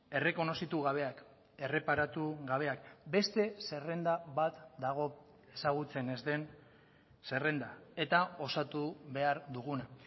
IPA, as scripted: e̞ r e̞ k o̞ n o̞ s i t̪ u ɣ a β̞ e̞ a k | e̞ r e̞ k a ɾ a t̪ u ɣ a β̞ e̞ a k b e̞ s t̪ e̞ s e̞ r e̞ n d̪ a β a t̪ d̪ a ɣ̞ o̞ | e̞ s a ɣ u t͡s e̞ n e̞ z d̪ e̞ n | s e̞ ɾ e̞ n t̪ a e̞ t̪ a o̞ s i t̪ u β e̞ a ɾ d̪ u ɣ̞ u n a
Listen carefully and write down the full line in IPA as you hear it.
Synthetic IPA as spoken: e̞ r e̞ k o̞ n o̞ s i t̪ u ɣ a β̞ e̞ a k | e̞ r e̞ p a ɾ a t̪ u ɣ a β̞ e̞ a k b e̞ s t̪ e̞ s e̞ r e̞ n d̪ a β a t̪ d̪ a ɣ̞ o̞ | e̞ s a ɣ u t͡s e̞ n e̞ z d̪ e̞ n | s e̞ r e̞ n d̪ a e̞ t̪ a o̞ s a t̪ u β e̞ a ɾ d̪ u ɣ̞ u n a